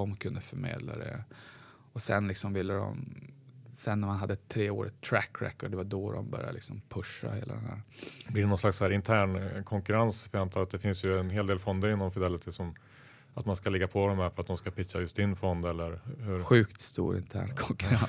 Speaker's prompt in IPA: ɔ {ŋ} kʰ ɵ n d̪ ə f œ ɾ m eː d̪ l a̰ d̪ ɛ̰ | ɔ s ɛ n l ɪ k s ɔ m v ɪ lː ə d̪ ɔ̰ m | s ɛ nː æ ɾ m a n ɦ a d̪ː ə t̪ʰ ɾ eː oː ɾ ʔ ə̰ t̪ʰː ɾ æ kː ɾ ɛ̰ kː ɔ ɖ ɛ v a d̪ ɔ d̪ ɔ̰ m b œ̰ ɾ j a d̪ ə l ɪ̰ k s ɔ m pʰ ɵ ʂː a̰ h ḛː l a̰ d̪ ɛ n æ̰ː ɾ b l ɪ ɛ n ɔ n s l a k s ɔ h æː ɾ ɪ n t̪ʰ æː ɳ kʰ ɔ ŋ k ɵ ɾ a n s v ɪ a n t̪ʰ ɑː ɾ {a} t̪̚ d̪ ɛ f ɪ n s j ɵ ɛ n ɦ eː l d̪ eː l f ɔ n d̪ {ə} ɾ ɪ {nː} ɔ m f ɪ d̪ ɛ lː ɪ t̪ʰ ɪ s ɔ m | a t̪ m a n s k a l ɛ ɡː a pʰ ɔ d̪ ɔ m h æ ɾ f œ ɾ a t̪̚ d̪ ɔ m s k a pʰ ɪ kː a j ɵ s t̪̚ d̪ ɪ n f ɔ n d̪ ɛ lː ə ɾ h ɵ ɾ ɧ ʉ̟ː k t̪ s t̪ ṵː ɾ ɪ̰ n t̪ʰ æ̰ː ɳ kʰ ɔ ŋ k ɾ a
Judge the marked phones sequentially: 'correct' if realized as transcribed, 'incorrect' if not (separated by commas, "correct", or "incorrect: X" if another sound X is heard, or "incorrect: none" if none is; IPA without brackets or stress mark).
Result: incorrect: m, correct, correct, correct